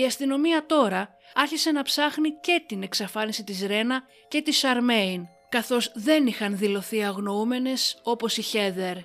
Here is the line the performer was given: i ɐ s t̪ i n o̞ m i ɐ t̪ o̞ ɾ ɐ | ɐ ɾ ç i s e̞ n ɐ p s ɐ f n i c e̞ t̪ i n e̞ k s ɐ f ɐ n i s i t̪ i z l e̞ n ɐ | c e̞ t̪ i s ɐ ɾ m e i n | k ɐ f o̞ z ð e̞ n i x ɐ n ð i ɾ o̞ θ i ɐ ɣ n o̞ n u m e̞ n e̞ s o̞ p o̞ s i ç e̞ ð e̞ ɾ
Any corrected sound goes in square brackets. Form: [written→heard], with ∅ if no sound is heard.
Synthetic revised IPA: i ɐ s t̪ i n o̞ m i ɐ t̪ o̞ ɾ ɐ | ɐ ɾ ç i s e̞ n ɐ p s ɐ [f→x] n i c e̞ t̪ i n e̞ k s ɐ f ɐ n i s i t̪ i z [l→ɾ] e̞ n ɐ | c e̞ t̪ i s ɐ ɾ m e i n | k ɐ [f→θ] o̞ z ð e̞ n i x ɐ n ð i [ɾ→l] o̞ θ i ɐ ɣ n o̞ [n→∅] u m e̞ n e̞ s o̞ p o̞ s i ç e̞ ð e̞ ɾ